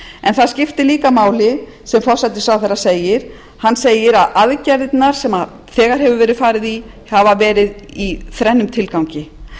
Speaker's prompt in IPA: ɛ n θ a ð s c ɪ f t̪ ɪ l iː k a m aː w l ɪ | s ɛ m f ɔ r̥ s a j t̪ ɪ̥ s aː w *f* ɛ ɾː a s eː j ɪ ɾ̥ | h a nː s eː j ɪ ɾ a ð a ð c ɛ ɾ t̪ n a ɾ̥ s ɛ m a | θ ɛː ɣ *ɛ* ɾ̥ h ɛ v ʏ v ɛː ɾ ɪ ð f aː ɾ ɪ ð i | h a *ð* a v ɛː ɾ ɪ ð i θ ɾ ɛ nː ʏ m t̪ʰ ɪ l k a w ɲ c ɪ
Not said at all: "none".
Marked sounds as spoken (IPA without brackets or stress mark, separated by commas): θ, a, v